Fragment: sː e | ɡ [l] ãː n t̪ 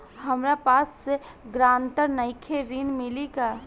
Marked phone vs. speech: incorrect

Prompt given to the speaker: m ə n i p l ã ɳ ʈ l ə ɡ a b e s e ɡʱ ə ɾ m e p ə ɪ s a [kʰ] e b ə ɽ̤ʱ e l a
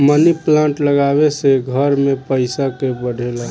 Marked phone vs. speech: incorrect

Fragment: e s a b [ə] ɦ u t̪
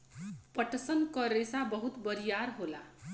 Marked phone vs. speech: incorrect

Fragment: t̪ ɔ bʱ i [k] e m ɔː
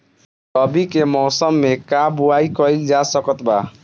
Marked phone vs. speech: correct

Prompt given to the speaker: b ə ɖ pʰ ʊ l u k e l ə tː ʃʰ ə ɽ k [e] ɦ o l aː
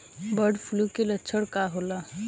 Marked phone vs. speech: incorrect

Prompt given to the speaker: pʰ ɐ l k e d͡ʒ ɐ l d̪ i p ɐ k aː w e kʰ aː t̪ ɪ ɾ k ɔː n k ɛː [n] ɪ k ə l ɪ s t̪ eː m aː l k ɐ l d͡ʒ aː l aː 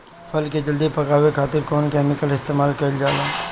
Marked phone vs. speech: incorrect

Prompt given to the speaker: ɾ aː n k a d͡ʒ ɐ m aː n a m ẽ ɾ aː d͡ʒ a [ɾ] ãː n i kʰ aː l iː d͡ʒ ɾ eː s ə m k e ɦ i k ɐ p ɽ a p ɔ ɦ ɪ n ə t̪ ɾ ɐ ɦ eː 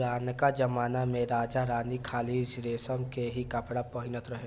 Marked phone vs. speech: correct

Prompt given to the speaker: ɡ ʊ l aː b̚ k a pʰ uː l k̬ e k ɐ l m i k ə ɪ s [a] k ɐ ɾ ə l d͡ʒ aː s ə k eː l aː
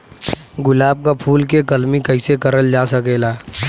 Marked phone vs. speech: incorrect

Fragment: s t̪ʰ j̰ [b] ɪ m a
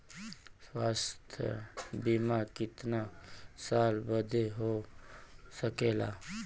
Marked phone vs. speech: correct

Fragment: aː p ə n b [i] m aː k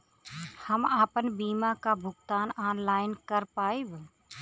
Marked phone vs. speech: incorrect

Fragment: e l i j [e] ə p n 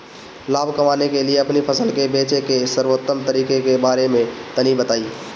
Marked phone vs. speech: correct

